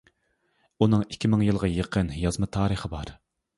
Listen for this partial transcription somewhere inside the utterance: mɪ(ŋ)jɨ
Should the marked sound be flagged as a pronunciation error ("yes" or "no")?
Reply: no